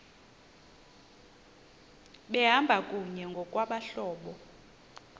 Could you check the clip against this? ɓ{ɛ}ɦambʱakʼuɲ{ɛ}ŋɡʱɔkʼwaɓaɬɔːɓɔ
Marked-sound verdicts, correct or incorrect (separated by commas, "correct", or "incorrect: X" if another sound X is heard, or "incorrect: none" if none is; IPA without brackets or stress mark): correct, correct